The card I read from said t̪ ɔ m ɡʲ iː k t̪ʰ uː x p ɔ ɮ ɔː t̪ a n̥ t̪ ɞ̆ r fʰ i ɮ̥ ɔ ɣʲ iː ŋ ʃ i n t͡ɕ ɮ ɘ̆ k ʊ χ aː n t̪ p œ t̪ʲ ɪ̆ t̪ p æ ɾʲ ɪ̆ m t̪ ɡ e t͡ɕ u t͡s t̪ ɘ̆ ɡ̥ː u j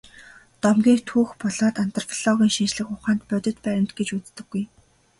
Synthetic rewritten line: t̪ ɔ m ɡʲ iː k t̪ʰ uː x p ɔ ɮ ɔː t̪ a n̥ t̪ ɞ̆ r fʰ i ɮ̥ ɔ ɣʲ iː ŋ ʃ i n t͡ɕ ɮ ɘ̆ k ʊ χ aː n t̪ p œ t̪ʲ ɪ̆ t̪ p æ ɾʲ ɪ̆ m t̪ ɡ e t͡ɕ u t͡s t̪ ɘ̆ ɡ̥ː u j